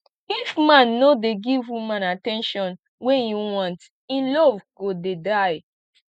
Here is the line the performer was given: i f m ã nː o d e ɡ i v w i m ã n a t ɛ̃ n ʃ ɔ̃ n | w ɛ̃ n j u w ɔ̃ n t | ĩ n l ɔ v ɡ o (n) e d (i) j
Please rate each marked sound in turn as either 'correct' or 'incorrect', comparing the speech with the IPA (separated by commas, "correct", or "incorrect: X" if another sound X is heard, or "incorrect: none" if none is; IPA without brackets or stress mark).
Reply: incorrect: d, incorrect: a